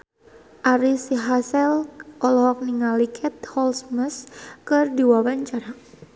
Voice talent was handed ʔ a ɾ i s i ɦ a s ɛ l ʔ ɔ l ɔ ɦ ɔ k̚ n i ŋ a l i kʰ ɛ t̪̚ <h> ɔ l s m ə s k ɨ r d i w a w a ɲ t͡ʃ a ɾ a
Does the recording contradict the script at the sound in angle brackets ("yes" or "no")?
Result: no